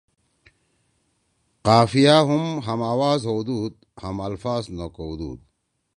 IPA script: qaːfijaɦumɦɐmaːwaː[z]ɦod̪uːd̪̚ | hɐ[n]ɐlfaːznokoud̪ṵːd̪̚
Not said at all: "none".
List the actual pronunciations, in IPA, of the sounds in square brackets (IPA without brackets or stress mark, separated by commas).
z, m